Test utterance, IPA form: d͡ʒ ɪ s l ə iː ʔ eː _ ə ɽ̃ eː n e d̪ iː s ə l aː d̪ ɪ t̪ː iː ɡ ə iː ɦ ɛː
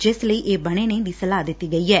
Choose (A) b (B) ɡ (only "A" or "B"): A